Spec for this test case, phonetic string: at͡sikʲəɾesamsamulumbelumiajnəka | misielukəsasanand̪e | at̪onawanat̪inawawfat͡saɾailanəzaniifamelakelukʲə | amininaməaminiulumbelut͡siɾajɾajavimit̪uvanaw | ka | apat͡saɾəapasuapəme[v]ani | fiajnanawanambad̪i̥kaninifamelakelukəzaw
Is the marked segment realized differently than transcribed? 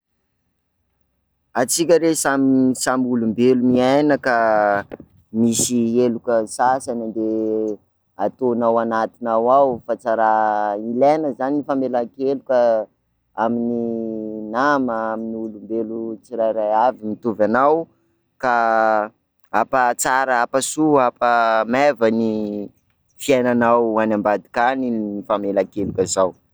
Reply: no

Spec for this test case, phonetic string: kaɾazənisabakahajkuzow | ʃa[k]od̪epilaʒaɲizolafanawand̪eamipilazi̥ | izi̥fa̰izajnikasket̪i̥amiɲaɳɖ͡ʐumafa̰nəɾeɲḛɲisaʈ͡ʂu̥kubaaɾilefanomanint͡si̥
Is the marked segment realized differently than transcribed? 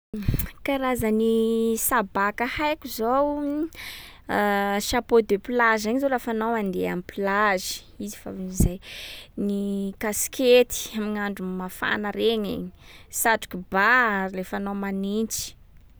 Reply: yes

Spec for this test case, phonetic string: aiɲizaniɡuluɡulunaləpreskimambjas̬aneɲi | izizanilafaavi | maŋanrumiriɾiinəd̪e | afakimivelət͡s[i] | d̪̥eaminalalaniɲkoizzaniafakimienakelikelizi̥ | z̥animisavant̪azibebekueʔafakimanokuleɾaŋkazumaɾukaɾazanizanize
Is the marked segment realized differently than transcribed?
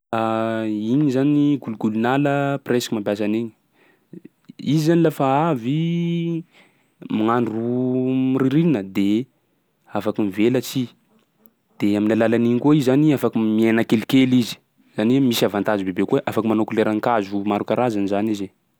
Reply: no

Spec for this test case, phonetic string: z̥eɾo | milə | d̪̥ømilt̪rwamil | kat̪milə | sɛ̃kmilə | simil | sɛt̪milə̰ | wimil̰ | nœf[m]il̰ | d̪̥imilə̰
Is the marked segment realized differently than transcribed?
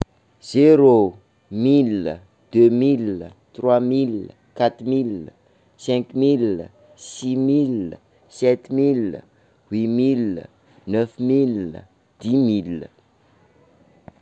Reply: no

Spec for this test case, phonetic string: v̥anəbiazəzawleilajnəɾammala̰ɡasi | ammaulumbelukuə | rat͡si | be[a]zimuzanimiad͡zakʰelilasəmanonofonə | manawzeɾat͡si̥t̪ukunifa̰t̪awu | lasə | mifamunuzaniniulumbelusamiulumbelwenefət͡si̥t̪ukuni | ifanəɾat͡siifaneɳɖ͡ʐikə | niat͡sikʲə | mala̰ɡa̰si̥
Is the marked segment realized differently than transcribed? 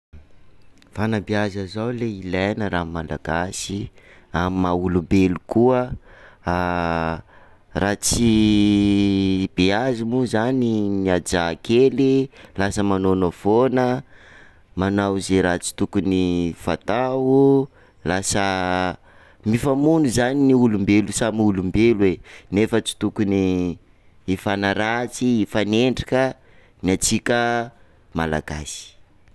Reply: no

